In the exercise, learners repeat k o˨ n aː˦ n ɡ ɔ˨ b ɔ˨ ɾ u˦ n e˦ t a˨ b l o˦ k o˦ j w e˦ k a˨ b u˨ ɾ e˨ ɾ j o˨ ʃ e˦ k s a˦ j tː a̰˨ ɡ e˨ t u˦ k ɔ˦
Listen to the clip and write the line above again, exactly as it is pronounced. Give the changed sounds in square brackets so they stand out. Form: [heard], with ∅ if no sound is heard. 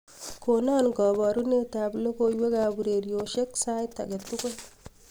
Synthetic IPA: k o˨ n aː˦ n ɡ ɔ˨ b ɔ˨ ɾ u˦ n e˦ t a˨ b l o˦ k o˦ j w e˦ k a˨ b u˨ ɾ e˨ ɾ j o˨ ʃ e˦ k s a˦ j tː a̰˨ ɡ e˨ t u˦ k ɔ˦